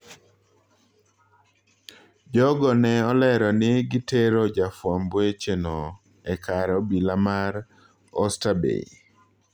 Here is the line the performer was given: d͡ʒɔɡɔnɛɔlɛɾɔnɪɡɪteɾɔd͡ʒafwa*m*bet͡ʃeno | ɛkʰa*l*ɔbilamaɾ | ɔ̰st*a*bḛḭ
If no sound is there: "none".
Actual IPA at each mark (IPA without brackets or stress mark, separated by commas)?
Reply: m, ɾ, a